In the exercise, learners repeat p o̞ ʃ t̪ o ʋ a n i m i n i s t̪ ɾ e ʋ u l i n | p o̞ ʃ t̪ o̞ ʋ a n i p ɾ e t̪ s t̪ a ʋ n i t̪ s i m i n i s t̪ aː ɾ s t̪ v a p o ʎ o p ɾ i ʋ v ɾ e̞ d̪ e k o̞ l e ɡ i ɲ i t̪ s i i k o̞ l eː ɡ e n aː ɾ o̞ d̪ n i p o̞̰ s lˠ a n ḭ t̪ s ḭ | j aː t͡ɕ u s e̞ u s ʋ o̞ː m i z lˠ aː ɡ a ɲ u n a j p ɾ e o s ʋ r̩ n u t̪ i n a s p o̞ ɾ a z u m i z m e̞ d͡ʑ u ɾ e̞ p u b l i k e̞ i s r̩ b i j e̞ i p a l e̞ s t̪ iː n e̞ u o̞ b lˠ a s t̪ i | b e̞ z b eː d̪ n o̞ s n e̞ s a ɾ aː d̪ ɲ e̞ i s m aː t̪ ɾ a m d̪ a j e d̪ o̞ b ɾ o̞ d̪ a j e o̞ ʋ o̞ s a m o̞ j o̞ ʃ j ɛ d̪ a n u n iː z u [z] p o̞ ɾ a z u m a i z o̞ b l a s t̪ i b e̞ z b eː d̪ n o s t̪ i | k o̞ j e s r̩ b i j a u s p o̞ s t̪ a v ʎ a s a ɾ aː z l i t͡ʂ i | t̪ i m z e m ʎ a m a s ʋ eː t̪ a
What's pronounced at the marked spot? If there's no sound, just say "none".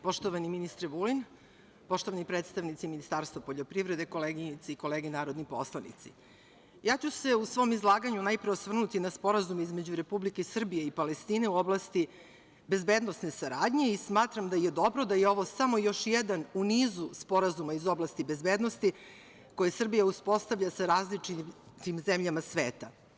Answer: s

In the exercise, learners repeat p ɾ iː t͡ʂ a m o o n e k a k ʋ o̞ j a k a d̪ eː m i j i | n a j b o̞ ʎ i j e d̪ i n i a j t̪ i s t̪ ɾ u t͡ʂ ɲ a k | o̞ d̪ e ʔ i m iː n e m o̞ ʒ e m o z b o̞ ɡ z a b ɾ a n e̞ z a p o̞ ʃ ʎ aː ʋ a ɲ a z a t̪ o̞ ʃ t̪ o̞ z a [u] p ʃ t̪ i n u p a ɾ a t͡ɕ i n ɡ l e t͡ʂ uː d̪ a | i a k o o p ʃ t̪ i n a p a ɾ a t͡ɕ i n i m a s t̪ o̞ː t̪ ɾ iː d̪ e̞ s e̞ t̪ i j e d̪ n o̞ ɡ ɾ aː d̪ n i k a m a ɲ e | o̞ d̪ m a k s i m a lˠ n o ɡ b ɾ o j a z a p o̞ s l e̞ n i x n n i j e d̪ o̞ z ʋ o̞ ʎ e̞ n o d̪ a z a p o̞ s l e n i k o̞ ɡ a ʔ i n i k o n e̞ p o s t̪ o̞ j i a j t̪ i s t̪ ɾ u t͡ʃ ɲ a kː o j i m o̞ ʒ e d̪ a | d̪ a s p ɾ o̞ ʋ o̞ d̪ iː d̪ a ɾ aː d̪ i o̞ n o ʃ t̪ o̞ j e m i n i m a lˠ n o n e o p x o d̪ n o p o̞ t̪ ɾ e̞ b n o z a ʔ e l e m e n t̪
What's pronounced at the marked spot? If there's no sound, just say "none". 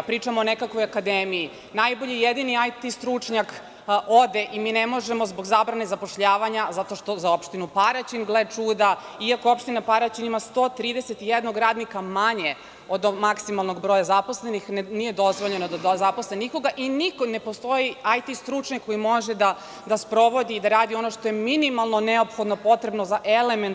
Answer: o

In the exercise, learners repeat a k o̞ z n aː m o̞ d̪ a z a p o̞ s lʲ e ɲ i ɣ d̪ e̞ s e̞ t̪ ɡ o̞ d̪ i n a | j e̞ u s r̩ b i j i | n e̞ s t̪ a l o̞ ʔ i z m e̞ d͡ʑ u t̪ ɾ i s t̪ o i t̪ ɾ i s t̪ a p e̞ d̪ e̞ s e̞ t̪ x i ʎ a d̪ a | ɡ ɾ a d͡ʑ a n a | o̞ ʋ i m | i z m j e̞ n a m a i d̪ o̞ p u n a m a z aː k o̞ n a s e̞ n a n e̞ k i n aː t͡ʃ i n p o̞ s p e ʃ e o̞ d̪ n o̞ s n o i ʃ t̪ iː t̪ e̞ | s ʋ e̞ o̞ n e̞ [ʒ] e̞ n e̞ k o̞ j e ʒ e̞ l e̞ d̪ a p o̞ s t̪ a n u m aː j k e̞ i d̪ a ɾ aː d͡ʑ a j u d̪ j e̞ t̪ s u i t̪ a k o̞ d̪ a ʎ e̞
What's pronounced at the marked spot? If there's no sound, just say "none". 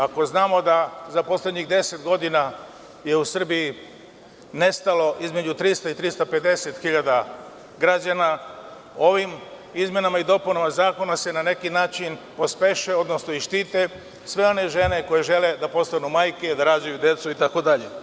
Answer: ʒ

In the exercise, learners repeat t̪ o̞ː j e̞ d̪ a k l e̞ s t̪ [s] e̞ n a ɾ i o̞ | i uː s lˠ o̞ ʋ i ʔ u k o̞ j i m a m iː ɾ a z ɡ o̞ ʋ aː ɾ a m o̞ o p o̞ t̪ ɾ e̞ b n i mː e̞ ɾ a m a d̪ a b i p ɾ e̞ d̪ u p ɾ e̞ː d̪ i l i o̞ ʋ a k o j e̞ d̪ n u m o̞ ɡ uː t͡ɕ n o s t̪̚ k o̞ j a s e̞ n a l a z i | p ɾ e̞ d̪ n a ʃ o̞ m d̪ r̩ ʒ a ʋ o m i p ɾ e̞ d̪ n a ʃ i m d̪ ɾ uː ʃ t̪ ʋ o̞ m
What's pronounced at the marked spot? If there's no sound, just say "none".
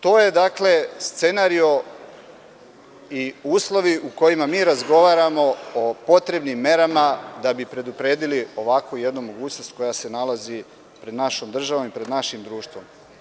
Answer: s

